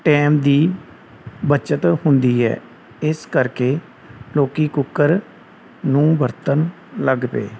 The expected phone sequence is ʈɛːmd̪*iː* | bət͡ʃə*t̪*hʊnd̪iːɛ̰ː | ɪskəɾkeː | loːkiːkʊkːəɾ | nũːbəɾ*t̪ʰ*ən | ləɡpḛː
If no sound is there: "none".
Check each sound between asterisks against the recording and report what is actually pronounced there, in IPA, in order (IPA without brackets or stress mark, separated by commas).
iː, t̪, t̪